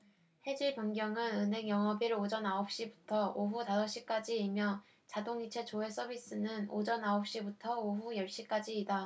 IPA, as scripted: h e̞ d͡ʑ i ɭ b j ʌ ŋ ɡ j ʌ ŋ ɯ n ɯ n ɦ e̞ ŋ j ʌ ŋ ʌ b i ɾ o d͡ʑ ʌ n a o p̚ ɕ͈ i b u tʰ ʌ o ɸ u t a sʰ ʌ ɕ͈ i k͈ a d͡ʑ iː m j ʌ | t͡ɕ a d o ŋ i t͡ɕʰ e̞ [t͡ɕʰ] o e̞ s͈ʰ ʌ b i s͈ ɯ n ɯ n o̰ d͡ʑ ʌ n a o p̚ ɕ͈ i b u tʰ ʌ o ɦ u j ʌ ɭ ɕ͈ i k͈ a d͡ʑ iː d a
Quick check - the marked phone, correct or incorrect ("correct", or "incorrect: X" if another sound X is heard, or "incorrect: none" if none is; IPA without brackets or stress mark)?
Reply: incorrect: t͡ɕ